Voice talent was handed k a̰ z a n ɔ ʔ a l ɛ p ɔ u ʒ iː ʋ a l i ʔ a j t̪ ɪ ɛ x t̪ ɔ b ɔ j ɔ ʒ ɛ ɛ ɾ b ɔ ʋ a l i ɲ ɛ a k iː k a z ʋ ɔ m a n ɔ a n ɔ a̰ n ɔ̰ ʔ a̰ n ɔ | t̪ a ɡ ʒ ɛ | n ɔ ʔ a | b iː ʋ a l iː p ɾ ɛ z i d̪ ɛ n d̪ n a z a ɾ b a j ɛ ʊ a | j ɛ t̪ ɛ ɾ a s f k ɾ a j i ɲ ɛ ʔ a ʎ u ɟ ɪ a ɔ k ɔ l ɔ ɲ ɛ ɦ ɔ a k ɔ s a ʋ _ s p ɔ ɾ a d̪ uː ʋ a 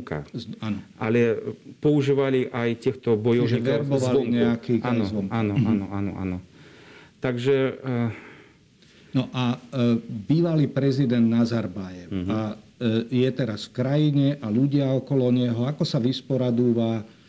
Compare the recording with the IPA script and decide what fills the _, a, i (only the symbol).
i